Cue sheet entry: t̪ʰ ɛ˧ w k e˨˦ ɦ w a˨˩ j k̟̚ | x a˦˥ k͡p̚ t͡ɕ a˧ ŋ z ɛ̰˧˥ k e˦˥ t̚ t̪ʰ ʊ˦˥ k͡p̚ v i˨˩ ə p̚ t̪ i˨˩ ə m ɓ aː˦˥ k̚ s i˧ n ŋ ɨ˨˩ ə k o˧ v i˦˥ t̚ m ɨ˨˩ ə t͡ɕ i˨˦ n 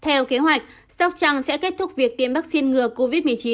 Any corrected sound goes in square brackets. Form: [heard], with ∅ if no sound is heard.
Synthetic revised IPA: t̪ʰ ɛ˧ w k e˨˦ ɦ w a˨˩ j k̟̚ | [s] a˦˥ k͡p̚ t͡ɕ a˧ ŋ [s] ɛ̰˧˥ k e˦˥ t̚ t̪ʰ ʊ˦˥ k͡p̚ v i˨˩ ə [k̚] t̪ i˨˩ ə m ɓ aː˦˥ k̚ s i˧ n ŋ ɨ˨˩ ə k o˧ v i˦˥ t̚ m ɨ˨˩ ə t͡ɕ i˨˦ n